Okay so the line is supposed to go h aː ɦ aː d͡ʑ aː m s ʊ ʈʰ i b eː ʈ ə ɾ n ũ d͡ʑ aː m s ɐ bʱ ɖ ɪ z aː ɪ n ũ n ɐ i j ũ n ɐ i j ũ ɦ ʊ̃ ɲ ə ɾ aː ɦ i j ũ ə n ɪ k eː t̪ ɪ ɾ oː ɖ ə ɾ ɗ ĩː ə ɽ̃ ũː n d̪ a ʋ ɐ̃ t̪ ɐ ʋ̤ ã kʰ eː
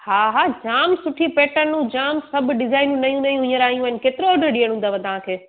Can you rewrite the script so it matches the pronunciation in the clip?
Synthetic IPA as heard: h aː ɦ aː d͡ʑ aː m s ʊ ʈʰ i p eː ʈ ə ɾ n ũ d͡ʑ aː m s ɐ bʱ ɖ ɪ z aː ɪ n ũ n ɐ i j ũ n ɐ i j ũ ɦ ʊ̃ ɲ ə ɾ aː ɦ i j ũ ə n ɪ k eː t̪ ɪ ɾ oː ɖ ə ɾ ɗ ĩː ə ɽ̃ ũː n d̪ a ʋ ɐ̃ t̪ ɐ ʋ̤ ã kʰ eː